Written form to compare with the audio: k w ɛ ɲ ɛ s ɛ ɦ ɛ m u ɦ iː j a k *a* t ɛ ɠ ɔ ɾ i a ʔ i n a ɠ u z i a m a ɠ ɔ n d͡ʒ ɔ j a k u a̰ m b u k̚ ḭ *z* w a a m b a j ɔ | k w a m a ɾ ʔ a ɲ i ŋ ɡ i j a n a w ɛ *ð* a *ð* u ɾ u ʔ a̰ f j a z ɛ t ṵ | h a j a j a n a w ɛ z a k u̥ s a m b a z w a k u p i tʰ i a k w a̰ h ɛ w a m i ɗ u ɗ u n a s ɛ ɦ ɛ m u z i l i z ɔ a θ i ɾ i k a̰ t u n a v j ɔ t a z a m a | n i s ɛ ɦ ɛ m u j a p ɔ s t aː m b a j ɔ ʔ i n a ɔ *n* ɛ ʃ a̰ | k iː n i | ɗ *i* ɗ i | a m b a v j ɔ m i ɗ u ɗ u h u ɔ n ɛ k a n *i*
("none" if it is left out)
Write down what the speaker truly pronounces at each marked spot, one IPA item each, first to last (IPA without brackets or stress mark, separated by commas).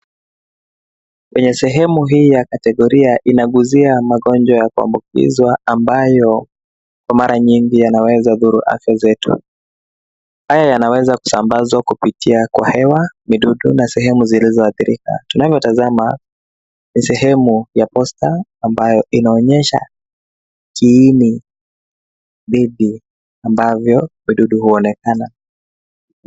a, z, z, ð, ɲ, i, a